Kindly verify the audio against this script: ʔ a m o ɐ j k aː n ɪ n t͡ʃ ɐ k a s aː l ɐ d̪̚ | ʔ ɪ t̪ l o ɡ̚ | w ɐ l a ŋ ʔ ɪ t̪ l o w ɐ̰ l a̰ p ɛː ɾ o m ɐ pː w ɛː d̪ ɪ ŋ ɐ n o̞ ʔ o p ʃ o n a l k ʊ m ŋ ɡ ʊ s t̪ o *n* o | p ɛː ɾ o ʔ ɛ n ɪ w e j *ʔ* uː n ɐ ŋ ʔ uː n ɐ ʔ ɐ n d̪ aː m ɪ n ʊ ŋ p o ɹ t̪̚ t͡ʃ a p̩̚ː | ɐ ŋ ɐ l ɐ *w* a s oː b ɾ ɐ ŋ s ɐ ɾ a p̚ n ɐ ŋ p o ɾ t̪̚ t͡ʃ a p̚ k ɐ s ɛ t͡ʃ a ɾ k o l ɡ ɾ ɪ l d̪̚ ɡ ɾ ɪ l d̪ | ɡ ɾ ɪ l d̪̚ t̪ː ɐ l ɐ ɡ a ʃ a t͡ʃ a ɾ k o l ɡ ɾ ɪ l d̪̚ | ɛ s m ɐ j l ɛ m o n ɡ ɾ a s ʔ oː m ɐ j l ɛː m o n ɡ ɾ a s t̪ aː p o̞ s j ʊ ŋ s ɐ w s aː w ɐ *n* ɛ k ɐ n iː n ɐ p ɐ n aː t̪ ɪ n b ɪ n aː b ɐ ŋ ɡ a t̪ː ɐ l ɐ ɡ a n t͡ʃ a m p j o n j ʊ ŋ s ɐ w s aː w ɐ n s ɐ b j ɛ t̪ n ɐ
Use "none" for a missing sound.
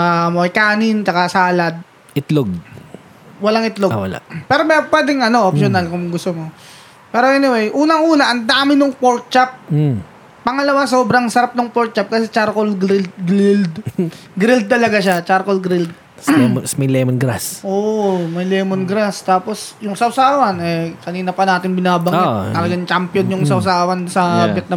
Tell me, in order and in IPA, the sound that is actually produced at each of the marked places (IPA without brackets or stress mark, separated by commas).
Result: m, ʔ, w, n